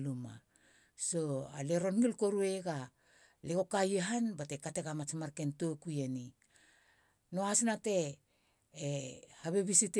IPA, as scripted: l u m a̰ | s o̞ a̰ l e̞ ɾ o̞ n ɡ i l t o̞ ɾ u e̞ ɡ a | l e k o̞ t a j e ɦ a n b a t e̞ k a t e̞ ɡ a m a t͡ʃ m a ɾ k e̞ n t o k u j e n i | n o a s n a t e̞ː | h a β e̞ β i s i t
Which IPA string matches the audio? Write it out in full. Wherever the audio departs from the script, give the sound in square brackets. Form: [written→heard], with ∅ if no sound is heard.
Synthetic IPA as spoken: l u m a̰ | s o̞ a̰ l e̞ ɾ o̞ n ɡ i l [t→k] o̞ ɾ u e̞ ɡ a | l e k o̞ [t→k] a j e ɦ a n b a t e̞ k a t e̞ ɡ a m a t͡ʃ m a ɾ k e̞ n t o k u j e n i | n o a s n a t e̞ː | h a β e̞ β i s i t